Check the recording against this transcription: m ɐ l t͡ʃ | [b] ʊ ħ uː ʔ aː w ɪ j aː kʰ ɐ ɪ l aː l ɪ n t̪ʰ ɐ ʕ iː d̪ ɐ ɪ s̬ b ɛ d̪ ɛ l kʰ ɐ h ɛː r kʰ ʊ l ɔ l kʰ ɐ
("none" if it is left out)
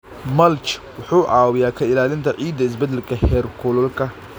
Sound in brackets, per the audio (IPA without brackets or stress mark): w